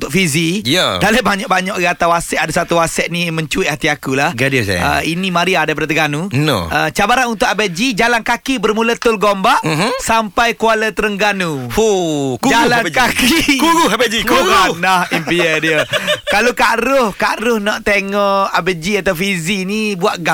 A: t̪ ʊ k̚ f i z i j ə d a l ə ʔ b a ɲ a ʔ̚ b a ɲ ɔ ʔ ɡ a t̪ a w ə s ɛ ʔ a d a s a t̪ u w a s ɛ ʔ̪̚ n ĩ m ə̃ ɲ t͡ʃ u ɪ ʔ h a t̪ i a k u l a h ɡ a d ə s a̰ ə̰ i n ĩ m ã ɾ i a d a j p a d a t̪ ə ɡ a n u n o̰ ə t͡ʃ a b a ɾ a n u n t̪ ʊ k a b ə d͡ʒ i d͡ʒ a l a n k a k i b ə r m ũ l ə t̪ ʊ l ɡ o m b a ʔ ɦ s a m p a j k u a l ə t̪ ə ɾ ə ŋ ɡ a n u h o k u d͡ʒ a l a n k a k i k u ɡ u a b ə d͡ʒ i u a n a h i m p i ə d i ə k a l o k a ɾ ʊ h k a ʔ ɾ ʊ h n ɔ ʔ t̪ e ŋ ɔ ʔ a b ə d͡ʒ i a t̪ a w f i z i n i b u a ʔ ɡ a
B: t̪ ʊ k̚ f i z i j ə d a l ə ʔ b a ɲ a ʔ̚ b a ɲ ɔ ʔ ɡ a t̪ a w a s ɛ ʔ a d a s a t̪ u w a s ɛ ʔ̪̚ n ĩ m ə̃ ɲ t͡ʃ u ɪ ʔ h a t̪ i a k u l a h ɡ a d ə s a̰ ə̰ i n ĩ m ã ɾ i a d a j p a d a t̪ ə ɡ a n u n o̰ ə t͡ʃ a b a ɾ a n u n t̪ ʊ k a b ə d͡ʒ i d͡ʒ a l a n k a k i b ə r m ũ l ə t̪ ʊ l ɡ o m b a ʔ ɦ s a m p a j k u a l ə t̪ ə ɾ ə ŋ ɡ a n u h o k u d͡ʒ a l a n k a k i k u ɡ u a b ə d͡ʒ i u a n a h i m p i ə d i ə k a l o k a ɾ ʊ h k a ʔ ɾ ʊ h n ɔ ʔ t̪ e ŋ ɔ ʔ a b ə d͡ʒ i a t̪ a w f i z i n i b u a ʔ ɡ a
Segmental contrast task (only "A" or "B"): B